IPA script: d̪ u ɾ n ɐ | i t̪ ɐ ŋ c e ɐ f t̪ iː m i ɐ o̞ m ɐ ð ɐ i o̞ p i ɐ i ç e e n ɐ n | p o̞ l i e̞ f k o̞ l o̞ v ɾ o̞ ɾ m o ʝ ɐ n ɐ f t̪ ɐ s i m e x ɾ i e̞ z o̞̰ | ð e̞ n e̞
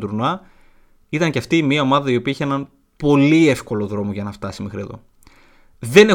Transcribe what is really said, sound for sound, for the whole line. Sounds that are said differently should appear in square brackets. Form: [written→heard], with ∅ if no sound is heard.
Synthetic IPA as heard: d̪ u ɾ n ɐ | i t̪ ɐ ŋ c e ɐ f t̪ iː m i ɐ o̞ m ɐ ð ɐ i o̞ p i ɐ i ç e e n ɐ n | p o̞ l i e̞ f k o̞ l o̞ [v→ð] ɾ o̞ [ɾ→∅] m o ʝ ɐ n ɐ f t̪ ɐ s i m e x ɾ i e̞ [z→ð] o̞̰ | ð e̞ n e̞